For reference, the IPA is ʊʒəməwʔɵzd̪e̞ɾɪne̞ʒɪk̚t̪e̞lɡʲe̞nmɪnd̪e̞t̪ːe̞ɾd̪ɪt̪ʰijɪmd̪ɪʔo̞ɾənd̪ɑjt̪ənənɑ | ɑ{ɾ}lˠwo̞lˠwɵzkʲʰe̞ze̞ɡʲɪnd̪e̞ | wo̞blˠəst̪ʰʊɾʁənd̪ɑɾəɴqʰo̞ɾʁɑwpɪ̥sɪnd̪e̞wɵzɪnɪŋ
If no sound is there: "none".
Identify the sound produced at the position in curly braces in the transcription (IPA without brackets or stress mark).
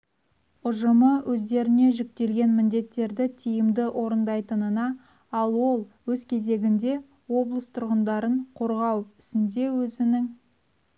none